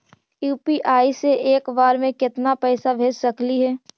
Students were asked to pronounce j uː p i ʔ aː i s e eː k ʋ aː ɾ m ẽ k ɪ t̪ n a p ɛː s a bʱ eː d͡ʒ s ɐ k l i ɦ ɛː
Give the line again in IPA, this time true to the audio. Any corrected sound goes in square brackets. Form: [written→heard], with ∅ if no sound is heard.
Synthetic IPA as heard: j uː p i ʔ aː i s e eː k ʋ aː ɾ m ẽ k ɪ t̪ n a p ɛː s a bʱ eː d͡ʒ s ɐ k l i ɦ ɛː